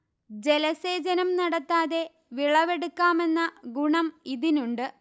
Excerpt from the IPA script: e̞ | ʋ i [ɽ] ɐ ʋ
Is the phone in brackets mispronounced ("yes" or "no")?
yes